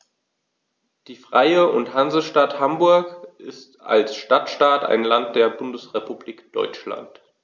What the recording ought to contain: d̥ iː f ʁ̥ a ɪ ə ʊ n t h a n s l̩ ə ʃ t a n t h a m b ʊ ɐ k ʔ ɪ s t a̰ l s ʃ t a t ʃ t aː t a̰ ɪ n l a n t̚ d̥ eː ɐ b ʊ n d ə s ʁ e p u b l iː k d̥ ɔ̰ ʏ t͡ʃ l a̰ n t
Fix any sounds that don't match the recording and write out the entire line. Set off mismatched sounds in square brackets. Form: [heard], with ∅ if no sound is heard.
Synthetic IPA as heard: d̥ iː f ʁ̥ a ɪ ə ʊ n t h a n [z] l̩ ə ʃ t a [∅] t h a m b ʊ ɐ k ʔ ɪ s t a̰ l s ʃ t a t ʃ t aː t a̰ ɪ n l a n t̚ d̥ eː ɐ b ʊ n d ə s ʁ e p u b l iː k d̥ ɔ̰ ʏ t͡ʃ l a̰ n t